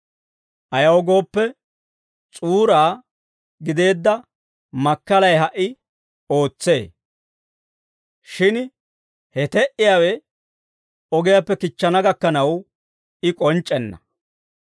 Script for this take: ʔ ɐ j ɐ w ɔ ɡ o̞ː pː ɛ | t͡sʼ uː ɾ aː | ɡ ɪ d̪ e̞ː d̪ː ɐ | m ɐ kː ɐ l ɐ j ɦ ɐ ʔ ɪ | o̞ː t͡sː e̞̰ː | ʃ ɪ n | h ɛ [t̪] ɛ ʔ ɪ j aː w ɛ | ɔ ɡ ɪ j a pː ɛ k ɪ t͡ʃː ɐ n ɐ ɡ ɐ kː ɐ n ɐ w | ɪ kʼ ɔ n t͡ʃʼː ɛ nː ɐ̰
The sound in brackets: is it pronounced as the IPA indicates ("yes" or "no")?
yes